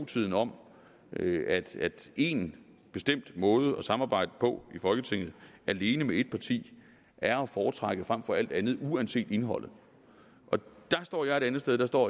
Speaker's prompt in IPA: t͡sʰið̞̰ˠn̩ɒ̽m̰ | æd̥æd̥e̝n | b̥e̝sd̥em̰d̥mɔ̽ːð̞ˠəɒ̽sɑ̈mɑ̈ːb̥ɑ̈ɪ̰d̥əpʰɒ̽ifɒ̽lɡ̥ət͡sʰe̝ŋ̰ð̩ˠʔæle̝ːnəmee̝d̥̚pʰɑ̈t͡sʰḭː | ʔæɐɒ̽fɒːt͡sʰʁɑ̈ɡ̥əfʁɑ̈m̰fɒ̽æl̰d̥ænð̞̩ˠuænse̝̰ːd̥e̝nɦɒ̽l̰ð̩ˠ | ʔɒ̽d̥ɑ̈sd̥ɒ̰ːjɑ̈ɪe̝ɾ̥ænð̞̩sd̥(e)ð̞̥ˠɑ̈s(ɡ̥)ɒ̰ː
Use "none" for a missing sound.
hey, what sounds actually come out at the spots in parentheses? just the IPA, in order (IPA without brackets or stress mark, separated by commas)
e, d̥